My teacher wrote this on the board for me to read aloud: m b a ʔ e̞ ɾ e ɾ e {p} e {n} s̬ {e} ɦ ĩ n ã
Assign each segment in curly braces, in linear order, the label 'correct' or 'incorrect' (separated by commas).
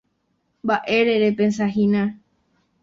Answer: correct, correct, incorrect